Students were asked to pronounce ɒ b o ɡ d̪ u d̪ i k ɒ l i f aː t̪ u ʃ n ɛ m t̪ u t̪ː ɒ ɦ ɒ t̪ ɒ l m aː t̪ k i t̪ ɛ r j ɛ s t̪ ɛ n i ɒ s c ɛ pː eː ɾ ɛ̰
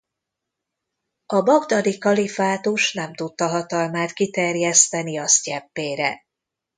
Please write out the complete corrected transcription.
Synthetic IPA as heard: ɒ b ɒ ɡ d̪ ɒ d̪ i k ɒ l i f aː t̪ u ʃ n ɛ m t̪ u t̪ː ɒ ɦ ɒ t̪ ɒ l m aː t̪ k i t̪ ɛ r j ɛ s t̪ ɛ n i ɒ s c ɛ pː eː ɾ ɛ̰